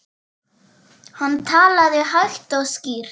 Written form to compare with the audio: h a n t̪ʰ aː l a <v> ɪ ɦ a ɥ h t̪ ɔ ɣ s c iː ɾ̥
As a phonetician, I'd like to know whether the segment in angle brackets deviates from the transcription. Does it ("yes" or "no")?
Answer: yes